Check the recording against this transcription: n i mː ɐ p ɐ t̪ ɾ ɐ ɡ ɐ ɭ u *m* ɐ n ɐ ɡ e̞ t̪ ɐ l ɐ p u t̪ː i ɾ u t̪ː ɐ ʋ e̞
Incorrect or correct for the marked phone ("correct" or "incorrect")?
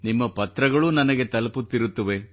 incorrect